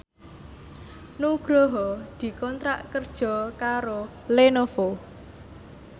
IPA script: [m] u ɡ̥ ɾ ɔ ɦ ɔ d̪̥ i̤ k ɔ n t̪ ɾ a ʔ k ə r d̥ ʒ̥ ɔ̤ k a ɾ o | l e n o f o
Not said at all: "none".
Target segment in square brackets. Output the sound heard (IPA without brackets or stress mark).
n